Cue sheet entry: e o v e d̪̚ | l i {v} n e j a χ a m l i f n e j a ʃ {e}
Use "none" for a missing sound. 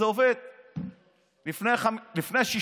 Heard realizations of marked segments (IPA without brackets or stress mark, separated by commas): f, i